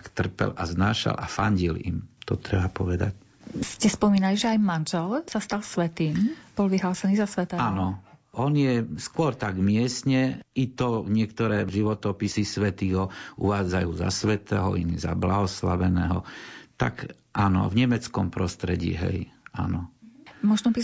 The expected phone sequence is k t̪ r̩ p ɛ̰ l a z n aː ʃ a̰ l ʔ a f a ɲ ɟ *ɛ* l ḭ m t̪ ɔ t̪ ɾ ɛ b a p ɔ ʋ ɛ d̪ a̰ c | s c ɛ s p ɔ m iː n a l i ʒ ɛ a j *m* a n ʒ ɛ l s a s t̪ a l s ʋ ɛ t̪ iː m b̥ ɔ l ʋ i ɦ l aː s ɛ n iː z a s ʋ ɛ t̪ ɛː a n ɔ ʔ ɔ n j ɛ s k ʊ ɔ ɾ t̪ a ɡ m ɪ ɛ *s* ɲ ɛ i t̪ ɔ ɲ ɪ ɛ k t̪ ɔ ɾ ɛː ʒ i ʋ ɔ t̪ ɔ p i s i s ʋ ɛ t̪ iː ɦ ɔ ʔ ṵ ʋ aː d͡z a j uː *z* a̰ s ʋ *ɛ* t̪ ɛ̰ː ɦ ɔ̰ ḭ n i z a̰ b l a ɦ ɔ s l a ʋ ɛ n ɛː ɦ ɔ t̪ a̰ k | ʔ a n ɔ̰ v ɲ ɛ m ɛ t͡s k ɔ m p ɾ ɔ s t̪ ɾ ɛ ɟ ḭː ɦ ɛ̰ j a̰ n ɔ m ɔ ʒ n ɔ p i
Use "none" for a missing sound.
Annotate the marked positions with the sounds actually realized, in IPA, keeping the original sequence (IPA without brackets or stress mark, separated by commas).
i, m, s, z, ɛ